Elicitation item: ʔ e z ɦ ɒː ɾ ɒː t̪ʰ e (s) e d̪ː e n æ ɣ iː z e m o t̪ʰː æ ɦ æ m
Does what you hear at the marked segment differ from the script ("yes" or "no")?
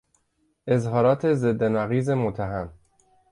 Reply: yes